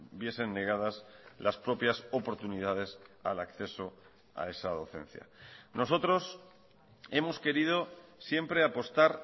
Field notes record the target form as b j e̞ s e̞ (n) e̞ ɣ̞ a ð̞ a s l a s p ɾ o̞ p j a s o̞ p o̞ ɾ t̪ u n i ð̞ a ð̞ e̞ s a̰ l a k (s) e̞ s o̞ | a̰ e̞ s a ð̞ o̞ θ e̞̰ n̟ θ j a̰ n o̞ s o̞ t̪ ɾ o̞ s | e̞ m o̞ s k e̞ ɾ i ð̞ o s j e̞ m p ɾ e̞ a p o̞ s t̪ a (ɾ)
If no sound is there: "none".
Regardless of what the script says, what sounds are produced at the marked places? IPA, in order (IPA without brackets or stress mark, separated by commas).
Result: nː, θ, ɾ